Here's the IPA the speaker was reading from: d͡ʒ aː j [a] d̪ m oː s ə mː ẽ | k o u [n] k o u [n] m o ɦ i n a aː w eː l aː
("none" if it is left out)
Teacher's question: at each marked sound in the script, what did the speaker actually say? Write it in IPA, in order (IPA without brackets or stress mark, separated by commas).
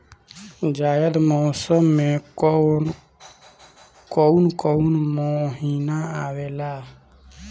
ə, n, n